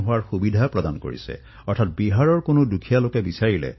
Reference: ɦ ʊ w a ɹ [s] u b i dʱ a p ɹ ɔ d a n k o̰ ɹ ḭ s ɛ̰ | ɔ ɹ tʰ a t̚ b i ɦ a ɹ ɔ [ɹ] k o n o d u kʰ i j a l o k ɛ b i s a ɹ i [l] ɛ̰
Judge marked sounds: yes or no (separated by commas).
no, yes, yes